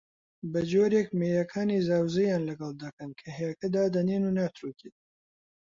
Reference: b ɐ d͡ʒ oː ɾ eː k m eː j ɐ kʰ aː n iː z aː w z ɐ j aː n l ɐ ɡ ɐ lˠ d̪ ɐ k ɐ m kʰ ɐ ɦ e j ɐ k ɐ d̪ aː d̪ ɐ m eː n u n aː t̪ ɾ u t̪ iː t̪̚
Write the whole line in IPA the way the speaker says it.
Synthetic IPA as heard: b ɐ d͡ʒ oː ɾ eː k m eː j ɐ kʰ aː n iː z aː w z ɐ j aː n l ɐ ɡ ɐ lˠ d̪ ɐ k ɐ n kʰ ɐ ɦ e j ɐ k ɐ d̪ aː d̪ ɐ n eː n u n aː t̪ ɾ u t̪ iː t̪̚